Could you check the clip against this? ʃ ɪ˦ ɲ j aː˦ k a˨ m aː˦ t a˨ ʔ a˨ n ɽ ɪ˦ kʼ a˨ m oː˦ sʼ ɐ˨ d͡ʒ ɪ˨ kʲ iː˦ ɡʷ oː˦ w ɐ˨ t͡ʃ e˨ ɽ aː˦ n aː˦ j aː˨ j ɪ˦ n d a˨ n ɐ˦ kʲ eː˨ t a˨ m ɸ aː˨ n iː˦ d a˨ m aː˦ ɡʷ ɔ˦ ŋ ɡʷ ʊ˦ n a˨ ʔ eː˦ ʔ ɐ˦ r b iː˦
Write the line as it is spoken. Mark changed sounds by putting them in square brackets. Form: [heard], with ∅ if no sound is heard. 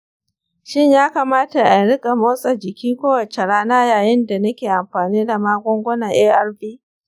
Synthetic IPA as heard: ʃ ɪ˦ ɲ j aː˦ k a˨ m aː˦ t a˨ ʔ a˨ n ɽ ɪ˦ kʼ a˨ m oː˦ sʼ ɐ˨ d͡ʒ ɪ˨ kʲ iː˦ [kʷ] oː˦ w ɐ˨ t͡ʃ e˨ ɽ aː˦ n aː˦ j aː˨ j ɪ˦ n d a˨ n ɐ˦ kʲ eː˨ [ʔ] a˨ m ɸ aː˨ n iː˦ d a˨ m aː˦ ɡʷ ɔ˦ ŋ ɡʷ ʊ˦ n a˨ ʔ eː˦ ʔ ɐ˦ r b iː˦